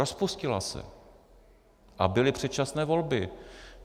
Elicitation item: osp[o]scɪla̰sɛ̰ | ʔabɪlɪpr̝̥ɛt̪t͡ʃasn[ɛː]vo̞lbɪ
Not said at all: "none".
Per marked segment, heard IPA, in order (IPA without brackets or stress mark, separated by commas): u, ɛː